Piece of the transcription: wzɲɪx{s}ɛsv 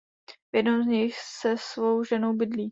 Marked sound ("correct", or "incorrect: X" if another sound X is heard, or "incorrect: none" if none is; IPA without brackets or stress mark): correct